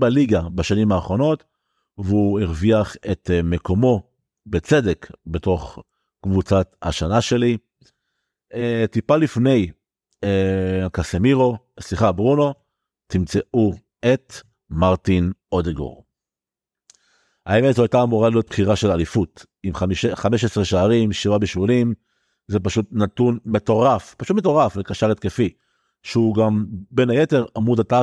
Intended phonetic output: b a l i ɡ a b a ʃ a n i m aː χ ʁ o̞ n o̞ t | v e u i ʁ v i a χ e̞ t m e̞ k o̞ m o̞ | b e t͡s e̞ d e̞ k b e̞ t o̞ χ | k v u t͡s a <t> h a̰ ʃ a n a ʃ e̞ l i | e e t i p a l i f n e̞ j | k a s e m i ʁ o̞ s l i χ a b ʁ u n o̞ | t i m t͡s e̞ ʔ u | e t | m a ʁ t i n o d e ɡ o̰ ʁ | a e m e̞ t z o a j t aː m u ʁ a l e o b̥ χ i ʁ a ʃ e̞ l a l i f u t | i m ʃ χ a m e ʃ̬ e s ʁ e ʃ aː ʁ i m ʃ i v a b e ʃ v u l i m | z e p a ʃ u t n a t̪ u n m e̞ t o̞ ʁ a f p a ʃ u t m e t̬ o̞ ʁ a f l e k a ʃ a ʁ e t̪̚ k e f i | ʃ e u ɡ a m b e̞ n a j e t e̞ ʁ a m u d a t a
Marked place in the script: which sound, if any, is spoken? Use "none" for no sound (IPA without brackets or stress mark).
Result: t